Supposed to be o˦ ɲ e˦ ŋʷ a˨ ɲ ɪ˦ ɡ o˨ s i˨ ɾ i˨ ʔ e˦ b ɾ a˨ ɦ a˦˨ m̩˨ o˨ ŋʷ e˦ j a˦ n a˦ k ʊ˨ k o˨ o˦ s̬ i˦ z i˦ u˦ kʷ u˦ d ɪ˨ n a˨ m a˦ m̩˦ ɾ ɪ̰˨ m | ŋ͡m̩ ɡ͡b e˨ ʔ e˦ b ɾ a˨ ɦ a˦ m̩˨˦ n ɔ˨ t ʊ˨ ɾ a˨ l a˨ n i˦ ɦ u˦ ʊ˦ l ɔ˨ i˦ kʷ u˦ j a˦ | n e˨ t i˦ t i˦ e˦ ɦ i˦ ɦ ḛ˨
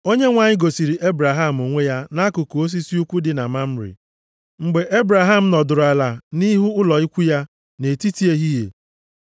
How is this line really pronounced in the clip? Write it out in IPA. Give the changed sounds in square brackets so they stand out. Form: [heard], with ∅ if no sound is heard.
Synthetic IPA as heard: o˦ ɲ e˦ ŋʷ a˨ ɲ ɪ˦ ɡ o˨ s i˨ ɾ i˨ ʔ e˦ b ɾ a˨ ɦ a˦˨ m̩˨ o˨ ŋʷ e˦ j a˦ n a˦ k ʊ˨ k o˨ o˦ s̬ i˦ [s] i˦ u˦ kʷ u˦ d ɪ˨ n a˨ m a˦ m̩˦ ɾ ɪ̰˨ [∅] | ŋ͡m̩ ɡ͡b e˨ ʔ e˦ b ɾ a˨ ɦ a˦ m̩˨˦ n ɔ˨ [d] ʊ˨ ɾ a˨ l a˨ n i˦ ɦ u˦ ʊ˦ l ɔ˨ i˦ kʷ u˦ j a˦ | n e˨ t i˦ t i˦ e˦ ɦ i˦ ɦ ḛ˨